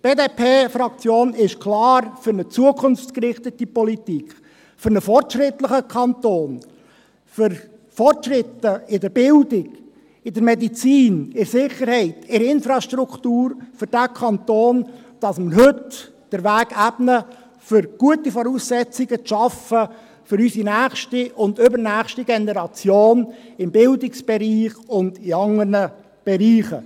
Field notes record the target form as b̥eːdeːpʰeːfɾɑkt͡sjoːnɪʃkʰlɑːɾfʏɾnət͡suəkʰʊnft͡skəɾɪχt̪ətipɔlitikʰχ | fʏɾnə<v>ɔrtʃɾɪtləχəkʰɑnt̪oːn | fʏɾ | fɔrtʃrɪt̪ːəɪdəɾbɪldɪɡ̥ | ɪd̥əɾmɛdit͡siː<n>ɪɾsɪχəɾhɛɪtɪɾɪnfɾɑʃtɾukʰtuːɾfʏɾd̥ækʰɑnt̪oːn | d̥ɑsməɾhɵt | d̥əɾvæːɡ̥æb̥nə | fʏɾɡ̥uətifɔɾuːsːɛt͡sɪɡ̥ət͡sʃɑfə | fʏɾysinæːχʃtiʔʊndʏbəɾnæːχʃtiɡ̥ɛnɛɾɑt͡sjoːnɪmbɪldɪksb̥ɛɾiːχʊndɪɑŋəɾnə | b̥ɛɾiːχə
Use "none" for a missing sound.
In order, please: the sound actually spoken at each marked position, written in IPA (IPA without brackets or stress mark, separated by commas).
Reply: f, n